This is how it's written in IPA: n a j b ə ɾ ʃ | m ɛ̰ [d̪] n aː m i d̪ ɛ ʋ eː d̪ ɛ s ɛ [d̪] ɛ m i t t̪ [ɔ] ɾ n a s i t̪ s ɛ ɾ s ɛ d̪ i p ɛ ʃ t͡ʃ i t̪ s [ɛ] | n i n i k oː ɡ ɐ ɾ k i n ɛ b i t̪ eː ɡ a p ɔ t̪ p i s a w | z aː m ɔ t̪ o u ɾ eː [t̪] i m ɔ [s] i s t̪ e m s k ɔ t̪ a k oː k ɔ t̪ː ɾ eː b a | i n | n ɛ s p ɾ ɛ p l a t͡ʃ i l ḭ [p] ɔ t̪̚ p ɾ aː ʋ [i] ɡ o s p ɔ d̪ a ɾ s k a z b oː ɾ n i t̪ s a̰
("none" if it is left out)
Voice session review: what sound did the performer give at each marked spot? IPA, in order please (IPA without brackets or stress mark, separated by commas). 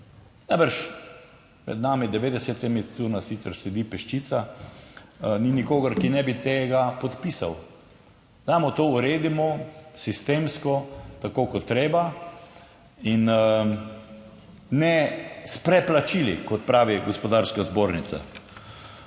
d̪, t̪, u, a, d̪, s, k, i